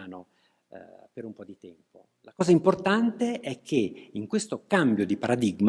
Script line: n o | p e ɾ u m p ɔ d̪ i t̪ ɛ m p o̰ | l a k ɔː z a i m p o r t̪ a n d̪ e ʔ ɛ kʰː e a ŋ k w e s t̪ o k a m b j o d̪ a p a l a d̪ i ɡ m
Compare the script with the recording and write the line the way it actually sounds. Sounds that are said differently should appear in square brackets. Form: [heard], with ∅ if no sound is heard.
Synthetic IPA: n o | p e ɾ u m p ɔ d̪ i t̪ ɛ m p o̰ | l a k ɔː z a i m p o r t̪ a n [t̪] e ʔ ɛ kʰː e [i] ŋ k w e s t̪ o k a m b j o d̪ [i] p a [ɾ] a d̪ i ɡ m